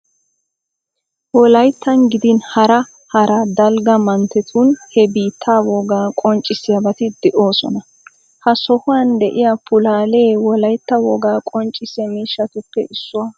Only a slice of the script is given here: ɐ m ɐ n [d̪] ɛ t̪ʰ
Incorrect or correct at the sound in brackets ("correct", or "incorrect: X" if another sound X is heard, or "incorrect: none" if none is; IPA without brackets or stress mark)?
incorrect: t̪